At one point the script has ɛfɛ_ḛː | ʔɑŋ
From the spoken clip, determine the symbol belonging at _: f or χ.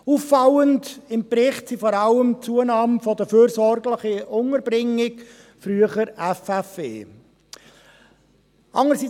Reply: f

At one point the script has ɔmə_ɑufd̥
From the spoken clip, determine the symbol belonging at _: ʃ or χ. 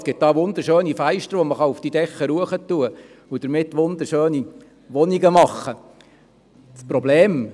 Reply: χ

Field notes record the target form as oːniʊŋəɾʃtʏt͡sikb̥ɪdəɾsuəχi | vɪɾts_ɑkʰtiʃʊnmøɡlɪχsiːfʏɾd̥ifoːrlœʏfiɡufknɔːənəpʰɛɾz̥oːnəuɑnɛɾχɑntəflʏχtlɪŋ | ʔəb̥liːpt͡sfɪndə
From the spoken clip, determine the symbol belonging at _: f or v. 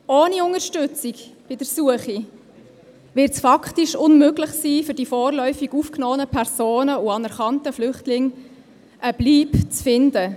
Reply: f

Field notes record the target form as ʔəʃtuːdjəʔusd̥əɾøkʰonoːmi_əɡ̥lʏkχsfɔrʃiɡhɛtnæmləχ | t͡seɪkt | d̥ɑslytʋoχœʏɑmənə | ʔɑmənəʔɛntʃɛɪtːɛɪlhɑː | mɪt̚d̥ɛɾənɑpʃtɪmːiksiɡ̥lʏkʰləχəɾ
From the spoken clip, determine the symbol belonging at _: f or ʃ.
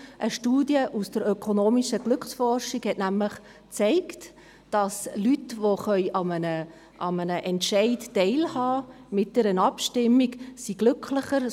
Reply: ʃ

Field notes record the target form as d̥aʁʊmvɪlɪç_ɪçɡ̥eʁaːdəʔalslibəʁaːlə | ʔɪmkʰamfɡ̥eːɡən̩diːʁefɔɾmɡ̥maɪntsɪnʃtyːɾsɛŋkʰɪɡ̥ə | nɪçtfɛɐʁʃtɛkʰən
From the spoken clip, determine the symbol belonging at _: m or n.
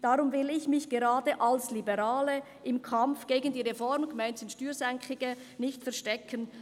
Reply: m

